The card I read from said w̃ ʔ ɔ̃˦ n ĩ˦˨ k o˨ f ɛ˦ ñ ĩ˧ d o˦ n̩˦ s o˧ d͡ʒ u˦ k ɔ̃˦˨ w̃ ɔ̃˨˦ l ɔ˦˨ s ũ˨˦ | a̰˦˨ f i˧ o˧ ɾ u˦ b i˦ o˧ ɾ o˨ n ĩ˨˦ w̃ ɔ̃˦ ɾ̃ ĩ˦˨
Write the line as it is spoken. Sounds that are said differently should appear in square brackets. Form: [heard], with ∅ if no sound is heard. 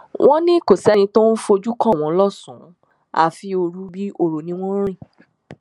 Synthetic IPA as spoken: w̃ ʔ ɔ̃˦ n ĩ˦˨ k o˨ [s] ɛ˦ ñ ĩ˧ [t] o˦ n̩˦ [f] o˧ d͡ʒ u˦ k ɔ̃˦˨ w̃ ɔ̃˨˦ l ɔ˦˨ s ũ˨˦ | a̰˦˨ f i˧ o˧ ɾ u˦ b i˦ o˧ ɾ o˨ n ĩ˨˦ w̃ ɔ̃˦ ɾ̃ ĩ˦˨